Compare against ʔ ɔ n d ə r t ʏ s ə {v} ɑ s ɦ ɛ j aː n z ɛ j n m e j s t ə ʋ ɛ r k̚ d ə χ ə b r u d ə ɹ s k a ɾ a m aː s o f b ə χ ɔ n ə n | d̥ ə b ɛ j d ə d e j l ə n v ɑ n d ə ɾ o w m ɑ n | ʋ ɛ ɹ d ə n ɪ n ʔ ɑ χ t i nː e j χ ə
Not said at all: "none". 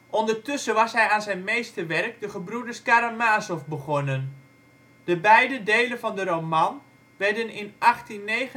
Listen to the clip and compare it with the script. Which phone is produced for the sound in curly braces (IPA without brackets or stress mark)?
ʋ